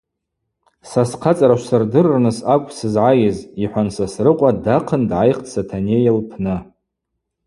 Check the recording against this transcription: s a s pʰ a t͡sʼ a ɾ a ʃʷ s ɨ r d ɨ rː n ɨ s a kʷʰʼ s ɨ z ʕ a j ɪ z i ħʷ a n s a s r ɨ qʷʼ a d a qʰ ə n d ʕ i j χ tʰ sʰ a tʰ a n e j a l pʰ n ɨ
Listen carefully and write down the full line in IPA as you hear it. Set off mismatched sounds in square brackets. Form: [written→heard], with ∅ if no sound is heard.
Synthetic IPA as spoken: s a s [pʰ→qʰ] a t͡sʼ a ɾ a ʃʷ s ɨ r d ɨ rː n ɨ s a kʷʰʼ s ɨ z ʕ a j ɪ z i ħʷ a n s a s r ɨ qʷʼ a d a qʰ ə n d ʕ [i→a] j χ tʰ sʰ a tʰ a n e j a l pʰ n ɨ